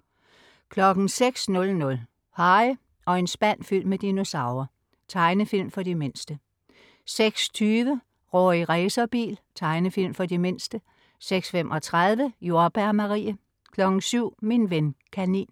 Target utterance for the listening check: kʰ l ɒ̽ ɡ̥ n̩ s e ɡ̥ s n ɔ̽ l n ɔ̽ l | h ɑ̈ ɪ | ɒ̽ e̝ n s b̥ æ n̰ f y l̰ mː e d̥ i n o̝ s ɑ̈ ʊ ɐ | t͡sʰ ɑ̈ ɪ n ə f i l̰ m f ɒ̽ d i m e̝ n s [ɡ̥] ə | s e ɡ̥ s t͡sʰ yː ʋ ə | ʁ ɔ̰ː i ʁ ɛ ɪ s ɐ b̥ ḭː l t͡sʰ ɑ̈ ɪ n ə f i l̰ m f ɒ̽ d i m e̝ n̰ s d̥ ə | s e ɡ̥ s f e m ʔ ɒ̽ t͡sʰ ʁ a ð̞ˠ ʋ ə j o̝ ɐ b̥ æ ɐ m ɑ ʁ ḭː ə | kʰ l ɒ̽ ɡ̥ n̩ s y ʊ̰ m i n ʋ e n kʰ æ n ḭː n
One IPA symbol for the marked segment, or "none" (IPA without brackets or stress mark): d̥